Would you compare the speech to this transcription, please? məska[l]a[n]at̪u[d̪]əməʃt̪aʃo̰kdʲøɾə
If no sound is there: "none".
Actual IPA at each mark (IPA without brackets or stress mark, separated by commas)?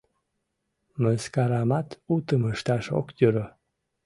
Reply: ɾ, m, t̪